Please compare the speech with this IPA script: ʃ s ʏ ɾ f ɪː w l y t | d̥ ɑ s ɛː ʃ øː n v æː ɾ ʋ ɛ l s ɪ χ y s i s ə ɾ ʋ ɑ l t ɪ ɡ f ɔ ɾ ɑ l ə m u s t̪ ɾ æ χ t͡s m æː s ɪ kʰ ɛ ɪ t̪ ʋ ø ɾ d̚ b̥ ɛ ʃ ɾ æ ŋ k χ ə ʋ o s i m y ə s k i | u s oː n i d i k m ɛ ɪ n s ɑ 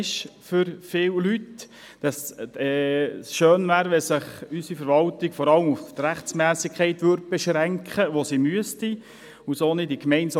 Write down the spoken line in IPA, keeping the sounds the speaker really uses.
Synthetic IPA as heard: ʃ f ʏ ɾ f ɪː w l y t | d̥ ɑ s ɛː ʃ øː n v æː ɾ ʋ ɛ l s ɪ χ y s i f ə ɾ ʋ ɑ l t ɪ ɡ f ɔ ɾ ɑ l ə m u f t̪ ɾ æ χ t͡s m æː s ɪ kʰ ɛ ɪ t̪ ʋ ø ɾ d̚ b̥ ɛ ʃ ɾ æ ŋ k χ ə ʋ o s i m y ə s t i | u s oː n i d i k m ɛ ɪ n s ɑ